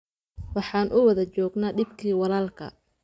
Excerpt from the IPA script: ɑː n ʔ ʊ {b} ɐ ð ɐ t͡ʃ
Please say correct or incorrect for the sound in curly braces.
incorrect